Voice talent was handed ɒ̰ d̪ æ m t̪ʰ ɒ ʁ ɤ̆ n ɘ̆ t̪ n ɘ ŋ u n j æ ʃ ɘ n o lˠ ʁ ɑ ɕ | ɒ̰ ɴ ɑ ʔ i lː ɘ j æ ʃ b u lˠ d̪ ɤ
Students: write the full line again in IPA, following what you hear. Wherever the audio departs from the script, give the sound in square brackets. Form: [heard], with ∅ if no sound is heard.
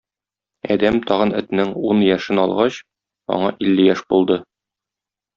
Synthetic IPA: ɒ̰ d̪ æ m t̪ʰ ɒ ʁ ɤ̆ n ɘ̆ t̪ n ɘ ŋ u n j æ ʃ ɘ n [ɒ] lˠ ʁ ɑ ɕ | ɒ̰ ɴ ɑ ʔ i lː ɘ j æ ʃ b u lˠ d̪ ɤ